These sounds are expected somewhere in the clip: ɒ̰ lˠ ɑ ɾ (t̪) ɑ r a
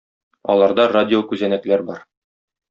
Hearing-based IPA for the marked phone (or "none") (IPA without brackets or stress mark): d̪